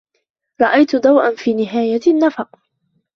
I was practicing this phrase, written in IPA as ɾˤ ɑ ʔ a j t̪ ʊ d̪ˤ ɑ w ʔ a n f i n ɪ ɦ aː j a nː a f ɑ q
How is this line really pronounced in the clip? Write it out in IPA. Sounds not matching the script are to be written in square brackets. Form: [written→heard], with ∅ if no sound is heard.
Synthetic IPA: ɾˤ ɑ ʔ a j t̪ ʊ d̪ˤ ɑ w ʔ a n f [i→iː] n ɪ ɦ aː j a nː a f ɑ q